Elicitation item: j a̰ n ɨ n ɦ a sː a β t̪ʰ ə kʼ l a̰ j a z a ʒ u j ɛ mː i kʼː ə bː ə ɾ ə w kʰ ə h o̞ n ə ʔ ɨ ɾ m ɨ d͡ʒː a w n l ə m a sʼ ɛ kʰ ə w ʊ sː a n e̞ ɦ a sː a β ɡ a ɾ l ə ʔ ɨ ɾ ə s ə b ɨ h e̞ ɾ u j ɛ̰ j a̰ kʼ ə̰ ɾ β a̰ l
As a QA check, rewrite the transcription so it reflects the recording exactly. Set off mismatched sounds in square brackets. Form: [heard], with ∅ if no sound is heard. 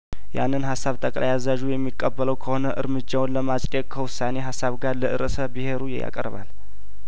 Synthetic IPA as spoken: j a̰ [nː] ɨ n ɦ a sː a β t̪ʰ ə kʼ l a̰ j a z a ʒ u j ɛ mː i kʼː ə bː ə [l] ə w kʰ ə h o̞ n ə ʔ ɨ ɾ m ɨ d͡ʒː a w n l ə m a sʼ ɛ kʰ ə w ʊ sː a n e̞ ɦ a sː a β ɡ a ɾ l ə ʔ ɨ ɾ ə s ə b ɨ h e̞ ɾ u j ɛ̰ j a̰ kʼ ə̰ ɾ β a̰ l